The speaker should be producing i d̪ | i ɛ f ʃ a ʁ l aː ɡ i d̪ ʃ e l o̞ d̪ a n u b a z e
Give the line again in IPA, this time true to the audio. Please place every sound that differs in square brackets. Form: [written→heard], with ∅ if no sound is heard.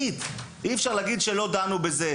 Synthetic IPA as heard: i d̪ | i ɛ f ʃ a ʁ l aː ɡ i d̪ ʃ e l o̞ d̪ a n u b [a→e] z e